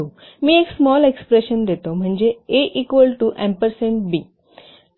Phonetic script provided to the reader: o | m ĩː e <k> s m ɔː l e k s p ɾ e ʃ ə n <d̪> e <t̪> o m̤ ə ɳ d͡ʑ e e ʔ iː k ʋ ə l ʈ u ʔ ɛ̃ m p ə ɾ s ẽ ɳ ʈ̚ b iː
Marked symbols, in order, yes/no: yes, yes, yes

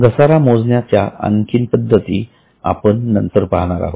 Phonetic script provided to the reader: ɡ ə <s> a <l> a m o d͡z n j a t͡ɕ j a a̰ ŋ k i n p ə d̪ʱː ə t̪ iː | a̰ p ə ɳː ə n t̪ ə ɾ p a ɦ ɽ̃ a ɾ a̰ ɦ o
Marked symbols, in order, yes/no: yes, no

